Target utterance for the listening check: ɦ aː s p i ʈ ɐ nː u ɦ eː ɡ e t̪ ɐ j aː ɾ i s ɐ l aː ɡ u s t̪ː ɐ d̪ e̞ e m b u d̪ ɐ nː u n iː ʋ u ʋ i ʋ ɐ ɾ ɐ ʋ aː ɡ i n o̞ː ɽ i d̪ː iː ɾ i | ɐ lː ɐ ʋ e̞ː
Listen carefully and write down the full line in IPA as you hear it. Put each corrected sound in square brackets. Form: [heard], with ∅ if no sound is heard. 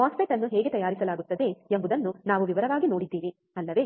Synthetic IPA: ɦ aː s p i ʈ ɐ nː u ɦ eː ɡ e t̪ ɐ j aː ɾ i s ɐ l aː ɡ u [∅] t̪ː ɐ d̪ e̞ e m b u d̪ ɐ nː u n [aː] ʋ u ʋ i ʋ ɐ ɾ ɐ ʋ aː ɡ i n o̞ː ɽ i d̪ː iː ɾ i | ɐ lː ɐ ʋ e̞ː